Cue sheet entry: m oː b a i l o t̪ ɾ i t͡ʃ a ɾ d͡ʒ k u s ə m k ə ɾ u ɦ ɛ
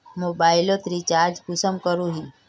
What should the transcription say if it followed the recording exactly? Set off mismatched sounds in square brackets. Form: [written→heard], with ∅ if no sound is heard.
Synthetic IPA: m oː b a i l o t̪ ɾ i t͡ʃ a ɾ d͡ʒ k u s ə m k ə ɾ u ɦ [ɛ→i]